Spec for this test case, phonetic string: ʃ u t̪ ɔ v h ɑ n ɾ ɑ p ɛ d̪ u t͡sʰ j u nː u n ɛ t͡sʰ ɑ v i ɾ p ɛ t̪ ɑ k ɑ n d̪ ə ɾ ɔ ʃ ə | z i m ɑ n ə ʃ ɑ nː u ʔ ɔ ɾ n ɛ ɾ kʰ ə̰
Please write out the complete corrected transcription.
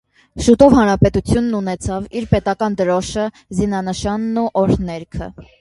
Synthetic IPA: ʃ u t̪ ɔ v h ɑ n ɾ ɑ p ɛ t̪ u t͡sʰ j u nː u n ɛ t͡sʰ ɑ v i ɾ p ɛ t̪ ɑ k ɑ n d̪ ə ɾ ɔ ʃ ə | z i n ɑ n ə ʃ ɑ nː u ʔ ɔ ɾ n ɛ ɾ kʰ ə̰